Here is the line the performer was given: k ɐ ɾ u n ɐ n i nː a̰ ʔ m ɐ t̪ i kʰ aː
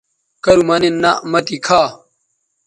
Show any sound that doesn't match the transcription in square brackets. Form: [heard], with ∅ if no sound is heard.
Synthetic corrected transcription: k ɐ ɾ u [m] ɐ n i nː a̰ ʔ m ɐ t̪ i kʰ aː